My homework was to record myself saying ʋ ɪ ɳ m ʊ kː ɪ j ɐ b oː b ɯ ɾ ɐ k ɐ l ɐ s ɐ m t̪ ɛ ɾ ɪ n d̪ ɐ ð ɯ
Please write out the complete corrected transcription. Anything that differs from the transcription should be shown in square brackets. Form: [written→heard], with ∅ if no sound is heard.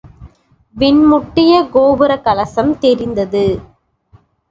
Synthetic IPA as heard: ʋ ɪ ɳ m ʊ [kː→ʈː] ɪ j ɐ [b→ɡ] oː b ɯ ɾ ɐ k ɐ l ɐ s ɐ m t̪ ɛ ɾ ɪ n d̪ ɐ ð ɯ